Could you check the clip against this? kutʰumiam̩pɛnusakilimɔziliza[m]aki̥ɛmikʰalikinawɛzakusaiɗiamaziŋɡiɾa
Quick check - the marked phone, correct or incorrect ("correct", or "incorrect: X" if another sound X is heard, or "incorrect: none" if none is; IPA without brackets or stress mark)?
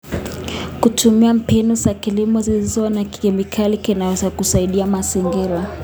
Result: incorrect: n